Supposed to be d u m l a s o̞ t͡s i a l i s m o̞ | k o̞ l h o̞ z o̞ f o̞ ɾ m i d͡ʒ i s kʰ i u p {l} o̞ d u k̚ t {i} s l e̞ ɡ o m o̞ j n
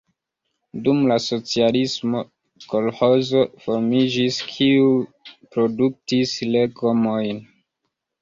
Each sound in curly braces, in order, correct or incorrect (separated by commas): incorrect, correct